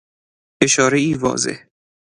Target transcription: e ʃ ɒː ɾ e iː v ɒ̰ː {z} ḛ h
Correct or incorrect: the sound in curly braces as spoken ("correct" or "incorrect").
correct